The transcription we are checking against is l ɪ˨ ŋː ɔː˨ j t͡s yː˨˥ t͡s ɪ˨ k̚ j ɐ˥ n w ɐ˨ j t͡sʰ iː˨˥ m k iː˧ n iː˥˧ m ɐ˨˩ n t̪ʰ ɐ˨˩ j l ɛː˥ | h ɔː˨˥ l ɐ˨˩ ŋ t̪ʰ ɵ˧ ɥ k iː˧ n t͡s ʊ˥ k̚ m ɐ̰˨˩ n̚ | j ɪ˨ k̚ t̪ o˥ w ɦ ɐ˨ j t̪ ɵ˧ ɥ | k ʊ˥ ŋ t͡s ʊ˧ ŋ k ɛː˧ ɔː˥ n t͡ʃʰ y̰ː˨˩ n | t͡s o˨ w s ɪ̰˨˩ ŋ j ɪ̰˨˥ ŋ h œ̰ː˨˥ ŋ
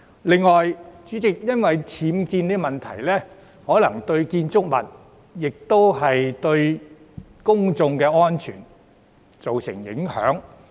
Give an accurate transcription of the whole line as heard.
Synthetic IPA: l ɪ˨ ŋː ɔː˨ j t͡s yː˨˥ t͡s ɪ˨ k̚ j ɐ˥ n w ɐ˨ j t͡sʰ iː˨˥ m k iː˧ n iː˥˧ m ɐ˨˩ n t̪ʰ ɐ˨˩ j l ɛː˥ | h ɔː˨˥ l ɐ˨˩ ŋ t̪ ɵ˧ ɥ k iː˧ n t͡s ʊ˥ k̚ m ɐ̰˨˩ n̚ | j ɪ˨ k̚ t̪ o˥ w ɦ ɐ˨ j t̪ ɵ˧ ɥ | k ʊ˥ ŋ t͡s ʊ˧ ŋ k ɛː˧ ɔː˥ n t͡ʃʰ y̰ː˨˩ n | t͡s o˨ w s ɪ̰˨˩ ŋ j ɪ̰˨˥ ŋ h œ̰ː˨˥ ŋ